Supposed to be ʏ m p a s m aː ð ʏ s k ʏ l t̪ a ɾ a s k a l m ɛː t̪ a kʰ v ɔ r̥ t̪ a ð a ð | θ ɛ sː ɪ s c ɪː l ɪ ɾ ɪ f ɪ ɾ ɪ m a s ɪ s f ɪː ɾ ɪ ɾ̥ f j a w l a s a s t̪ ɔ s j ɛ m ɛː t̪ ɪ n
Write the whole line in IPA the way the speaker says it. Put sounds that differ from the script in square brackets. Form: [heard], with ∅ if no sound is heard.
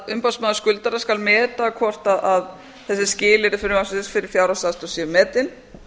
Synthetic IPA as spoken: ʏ m p a s m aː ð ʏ s k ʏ l t̪ a ɾ a s k a l m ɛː t̪ a kʰ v ɔ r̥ t̪ a ð a ð | θ ɛ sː ɪ s c ɪː l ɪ ɾ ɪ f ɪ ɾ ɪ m a s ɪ s f [ɪ] ɾ ɪ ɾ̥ f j a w [ɾ] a s a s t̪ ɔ s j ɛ m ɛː t̪ ɪ n